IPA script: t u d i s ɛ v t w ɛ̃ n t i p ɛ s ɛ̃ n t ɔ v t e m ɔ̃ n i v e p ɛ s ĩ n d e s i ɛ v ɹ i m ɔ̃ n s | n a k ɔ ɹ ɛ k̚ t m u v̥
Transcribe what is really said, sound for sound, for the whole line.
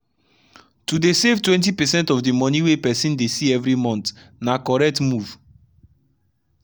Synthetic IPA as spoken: t u d e s e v t w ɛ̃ n t i p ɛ s ɛ̃ n t ɔ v d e m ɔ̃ n i w e p ɛ s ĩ n d e s i ɛ v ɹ i m ɔ̃ n t | n a k ɔ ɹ ɛ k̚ t m u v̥

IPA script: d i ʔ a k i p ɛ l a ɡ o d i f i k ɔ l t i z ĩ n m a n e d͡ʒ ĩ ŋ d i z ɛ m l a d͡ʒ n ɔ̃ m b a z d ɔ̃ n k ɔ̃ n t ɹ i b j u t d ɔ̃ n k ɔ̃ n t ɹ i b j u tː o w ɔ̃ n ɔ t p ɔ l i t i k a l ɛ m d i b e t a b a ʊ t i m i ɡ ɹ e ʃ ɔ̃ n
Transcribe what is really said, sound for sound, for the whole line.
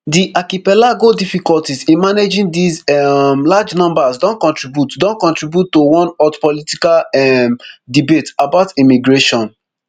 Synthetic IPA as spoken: d i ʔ a k i p ɛ l a ɡ o d i f i k ɔ l t i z ĩ n m a n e d͡ʒ ĩ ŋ d i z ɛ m l a d͡ʒ n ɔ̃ m b a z d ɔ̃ n k ɔ̃ n t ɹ i b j u t d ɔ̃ n k ɔ̃ n t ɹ i b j u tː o w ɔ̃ n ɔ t p ɔ l i t i k a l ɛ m d i b e t a b a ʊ t i m i ɡ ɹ e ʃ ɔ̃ n

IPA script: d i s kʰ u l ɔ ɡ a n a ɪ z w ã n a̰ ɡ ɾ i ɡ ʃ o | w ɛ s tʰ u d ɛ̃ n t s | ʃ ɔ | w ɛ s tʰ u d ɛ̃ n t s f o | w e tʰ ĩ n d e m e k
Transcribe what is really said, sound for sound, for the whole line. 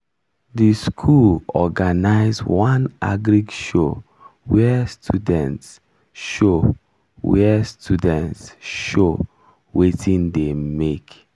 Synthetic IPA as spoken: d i s kʰ u l ɔ ɡ a n a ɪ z w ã n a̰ ɡ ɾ i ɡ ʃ o | w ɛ s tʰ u d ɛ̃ n t s | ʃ o | w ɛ s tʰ u d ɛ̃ n t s ʃ o | w e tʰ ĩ n d e m e k

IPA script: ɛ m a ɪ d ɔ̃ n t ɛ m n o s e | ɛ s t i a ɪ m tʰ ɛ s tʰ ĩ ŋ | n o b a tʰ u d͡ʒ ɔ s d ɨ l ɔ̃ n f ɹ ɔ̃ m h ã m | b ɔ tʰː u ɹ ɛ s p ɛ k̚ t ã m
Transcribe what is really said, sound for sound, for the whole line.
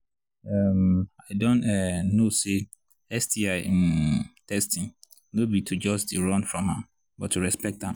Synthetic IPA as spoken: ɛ m a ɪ d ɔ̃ n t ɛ n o s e | ɛ s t i a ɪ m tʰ ɛ s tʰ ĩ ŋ | n o b i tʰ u d͡ʒ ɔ s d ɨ ɹ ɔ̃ n f ɹ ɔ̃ m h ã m | b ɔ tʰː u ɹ ɛ s p ɛ k̚ t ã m

